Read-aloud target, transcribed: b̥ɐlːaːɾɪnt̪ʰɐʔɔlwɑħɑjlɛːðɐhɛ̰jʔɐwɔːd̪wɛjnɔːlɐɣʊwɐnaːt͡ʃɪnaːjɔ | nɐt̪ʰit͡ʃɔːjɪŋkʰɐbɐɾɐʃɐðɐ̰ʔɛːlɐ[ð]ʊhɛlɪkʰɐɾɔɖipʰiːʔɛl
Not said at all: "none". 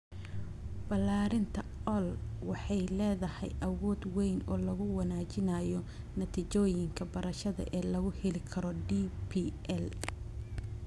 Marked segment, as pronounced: ɣ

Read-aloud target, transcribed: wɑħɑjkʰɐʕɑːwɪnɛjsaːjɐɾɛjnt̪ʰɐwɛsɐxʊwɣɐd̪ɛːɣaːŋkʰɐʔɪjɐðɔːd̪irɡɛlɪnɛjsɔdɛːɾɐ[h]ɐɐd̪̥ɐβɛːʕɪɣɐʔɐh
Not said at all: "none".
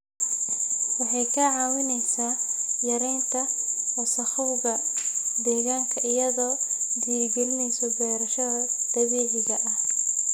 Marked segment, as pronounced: ʃ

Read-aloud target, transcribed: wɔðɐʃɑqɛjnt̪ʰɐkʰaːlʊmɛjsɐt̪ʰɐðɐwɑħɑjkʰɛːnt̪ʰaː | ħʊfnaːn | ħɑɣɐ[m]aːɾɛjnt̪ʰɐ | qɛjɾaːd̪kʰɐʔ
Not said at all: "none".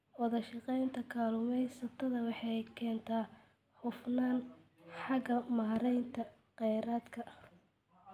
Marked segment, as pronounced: m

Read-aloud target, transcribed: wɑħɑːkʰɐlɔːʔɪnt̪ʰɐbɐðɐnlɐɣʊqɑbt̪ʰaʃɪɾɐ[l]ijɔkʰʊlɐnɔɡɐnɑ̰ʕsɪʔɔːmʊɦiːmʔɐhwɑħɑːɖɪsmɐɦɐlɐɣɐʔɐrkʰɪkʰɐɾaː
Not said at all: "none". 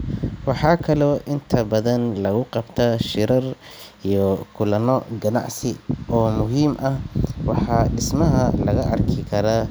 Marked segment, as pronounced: r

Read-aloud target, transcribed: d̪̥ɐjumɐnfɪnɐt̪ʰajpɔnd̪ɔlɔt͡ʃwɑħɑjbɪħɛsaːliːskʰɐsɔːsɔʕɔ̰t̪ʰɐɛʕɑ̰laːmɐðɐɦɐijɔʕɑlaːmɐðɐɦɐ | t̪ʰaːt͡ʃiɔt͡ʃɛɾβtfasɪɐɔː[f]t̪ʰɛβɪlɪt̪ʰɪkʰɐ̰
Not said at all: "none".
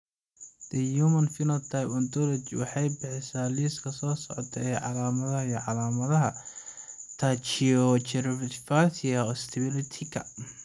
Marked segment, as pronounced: s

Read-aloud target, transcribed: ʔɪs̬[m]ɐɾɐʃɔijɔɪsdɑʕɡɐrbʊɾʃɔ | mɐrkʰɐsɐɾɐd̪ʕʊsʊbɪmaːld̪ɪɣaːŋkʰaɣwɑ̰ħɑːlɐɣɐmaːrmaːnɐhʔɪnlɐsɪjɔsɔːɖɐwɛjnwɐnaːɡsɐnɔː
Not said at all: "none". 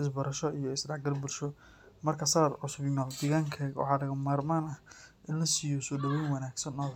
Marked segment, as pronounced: b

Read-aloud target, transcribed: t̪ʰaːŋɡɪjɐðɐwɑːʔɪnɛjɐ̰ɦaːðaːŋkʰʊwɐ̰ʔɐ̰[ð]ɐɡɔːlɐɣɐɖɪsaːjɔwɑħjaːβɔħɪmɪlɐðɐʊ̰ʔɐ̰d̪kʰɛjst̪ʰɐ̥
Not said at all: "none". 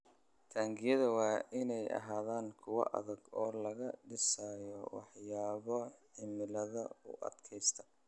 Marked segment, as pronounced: ð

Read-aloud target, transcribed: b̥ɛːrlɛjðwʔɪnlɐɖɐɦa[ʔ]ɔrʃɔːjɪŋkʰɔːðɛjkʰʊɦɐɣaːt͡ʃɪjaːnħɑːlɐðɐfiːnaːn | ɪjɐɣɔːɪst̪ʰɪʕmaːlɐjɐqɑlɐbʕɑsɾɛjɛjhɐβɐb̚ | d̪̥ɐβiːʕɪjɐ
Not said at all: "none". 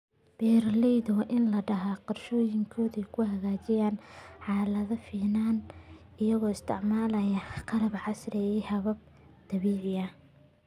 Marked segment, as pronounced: q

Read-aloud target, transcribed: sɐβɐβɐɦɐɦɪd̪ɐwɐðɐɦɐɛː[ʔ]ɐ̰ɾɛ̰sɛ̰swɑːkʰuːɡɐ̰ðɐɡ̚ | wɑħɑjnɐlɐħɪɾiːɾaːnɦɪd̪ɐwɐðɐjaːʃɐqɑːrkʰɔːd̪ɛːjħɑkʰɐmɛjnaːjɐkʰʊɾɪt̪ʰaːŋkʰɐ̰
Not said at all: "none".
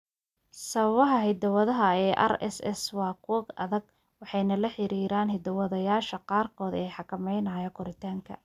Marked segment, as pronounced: ʔ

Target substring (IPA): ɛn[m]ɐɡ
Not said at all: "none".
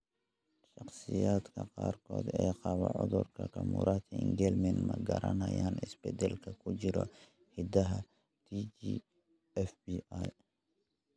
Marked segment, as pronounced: m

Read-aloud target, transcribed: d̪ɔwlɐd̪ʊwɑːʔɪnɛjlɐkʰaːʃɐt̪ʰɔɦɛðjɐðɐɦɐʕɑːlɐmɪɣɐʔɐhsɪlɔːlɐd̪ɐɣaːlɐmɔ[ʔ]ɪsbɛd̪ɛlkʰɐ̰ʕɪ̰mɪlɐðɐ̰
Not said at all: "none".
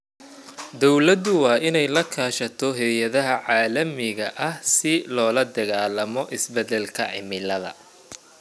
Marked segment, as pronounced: ʔ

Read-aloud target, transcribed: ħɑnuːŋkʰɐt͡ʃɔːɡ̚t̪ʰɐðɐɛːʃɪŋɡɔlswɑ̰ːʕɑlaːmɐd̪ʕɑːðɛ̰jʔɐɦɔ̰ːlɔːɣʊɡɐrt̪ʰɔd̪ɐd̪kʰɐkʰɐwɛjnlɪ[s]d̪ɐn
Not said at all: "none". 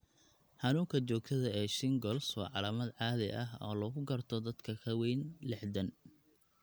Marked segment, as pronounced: ħ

